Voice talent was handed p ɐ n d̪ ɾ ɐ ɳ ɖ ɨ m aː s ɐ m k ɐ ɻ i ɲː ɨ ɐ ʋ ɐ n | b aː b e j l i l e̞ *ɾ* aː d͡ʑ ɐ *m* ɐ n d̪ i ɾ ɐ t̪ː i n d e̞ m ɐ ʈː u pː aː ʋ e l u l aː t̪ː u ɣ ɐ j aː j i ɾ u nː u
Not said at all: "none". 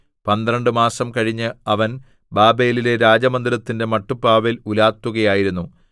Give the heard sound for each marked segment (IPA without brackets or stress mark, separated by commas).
ɾ, m